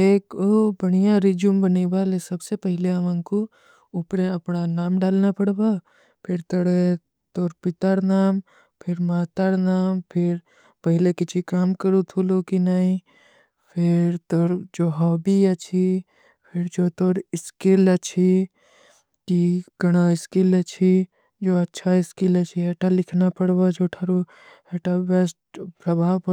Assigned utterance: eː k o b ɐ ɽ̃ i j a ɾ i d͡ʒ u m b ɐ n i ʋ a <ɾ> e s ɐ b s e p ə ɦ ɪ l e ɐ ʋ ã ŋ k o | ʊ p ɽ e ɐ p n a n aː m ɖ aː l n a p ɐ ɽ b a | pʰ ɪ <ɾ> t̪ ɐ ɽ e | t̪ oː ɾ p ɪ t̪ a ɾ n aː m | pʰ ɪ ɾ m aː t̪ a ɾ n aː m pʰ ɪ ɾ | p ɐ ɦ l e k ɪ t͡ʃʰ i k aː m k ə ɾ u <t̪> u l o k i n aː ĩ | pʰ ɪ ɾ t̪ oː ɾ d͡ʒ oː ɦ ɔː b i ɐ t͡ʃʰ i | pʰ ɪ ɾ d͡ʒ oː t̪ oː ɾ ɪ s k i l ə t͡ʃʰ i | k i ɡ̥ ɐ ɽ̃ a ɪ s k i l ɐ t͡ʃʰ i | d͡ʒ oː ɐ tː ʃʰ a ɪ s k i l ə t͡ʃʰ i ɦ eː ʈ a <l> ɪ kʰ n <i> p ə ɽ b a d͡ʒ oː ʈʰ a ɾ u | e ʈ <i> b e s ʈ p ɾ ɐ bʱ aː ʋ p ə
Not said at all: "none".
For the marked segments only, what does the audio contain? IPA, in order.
l, ɾ, t̪ʰ, l, a, a

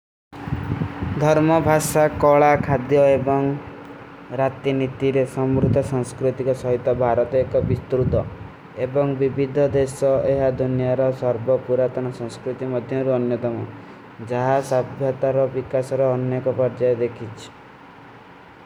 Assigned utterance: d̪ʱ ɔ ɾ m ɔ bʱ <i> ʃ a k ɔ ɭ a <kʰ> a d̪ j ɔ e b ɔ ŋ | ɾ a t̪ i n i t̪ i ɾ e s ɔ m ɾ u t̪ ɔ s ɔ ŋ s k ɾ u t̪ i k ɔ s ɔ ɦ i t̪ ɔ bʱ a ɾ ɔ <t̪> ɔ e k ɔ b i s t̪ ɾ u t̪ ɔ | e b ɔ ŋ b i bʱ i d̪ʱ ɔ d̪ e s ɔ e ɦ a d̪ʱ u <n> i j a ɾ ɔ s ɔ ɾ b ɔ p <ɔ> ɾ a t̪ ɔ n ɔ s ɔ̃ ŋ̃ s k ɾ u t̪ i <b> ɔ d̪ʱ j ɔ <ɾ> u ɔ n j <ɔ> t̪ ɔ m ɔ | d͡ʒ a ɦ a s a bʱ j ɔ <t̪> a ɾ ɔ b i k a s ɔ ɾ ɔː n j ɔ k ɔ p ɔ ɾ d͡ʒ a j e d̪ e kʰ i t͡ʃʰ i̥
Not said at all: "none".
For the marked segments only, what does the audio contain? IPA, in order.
a, kʰ, t̪, n, u, m, ɾ, ɔ, t̪

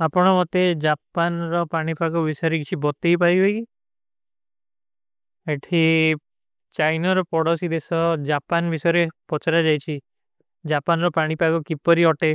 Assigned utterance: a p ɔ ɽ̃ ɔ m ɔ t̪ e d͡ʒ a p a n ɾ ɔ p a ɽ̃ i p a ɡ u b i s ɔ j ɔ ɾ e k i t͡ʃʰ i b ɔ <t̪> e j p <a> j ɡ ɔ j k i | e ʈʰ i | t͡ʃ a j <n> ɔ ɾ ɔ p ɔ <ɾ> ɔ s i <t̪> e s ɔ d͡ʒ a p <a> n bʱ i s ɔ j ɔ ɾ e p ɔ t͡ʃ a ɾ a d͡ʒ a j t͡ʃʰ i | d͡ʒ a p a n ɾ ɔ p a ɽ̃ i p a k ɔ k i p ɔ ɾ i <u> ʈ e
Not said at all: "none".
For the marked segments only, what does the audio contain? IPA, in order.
t̪, a, n, ɽ, d̪, a, ɔ

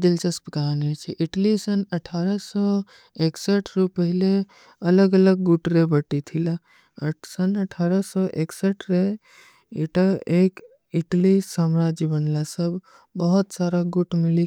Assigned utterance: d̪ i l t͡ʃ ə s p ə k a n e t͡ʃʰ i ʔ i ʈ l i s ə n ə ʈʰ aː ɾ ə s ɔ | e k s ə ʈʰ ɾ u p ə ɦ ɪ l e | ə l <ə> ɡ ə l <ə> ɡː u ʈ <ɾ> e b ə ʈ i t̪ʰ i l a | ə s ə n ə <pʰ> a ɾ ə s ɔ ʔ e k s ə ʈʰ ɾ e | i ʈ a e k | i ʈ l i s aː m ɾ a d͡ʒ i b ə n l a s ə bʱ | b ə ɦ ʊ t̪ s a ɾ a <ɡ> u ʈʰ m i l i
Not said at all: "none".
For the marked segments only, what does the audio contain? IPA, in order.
ə, ə, ɾ, ʈʰ, ɡ

